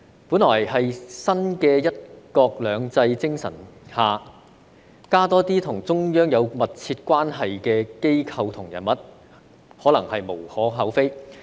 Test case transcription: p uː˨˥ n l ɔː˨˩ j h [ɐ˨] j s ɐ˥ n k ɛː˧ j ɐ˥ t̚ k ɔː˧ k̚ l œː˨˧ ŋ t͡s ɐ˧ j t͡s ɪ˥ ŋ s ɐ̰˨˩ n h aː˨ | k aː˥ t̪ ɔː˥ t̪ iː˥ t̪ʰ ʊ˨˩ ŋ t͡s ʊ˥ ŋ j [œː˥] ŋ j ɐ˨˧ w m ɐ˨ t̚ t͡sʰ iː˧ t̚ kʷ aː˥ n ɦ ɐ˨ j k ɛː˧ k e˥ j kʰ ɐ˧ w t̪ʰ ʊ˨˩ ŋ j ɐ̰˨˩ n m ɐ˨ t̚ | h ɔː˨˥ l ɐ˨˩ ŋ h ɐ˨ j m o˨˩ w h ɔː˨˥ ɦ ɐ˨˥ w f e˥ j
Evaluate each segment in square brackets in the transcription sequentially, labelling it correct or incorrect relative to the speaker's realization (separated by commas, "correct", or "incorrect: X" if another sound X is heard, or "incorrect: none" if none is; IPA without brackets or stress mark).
correct, correct